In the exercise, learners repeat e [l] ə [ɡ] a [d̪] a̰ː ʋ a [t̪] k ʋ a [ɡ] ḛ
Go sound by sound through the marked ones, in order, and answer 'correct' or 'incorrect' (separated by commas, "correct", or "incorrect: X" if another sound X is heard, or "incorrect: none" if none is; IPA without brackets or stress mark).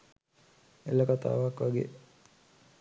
correct, incorrect: k, incorrect: t̪, incorrect: none, correct